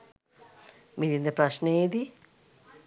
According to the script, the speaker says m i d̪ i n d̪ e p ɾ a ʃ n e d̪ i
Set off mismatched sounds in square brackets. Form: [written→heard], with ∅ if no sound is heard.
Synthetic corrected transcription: m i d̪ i n d̪ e p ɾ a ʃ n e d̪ i